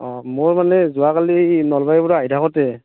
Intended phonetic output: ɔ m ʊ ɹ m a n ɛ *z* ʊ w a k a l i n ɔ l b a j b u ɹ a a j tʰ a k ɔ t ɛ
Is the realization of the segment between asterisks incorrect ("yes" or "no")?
no